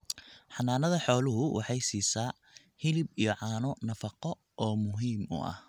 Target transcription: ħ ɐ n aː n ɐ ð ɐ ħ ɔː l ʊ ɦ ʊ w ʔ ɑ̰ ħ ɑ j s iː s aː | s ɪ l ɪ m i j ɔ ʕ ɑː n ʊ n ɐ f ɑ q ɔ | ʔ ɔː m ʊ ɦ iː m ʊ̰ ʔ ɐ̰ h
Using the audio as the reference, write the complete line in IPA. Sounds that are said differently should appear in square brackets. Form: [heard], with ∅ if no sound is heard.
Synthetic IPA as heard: ħ [ɑ] n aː n ɐ ð ɐ ħ ɔː l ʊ ɦ ʊ w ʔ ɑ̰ ħ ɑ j s iː s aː | [h] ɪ l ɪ [b] i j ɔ ʕ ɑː n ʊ n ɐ f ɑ q ɔ | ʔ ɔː m ʊ ɦ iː m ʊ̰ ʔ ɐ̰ h